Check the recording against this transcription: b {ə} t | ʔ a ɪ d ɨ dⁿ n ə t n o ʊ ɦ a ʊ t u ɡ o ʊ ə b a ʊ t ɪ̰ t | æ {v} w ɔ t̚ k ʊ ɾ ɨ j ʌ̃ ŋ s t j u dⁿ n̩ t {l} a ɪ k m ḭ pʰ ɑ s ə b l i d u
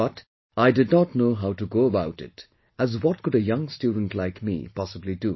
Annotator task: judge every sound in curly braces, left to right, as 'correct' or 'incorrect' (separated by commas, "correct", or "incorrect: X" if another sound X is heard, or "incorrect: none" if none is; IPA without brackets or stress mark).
incorrect: ʌ, incorrect: z, correct